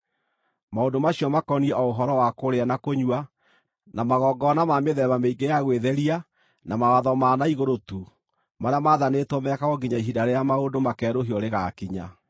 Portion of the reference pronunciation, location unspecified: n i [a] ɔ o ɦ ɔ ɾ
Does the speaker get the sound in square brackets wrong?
yes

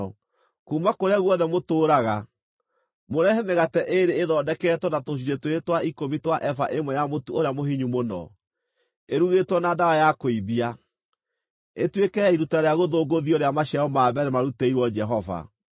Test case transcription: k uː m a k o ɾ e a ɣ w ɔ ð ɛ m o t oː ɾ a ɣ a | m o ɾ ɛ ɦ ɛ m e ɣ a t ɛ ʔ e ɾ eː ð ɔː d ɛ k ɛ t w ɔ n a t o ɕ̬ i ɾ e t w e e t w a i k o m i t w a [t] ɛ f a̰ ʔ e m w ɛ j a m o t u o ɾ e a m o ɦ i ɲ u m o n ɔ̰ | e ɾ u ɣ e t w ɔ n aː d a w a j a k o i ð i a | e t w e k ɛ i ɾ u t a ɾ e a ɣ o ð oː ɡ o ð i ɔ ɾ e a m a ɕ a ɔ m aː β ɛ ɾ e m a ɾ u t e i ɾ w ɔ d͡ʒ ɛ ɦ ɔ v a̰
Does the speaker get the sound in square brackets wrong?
yes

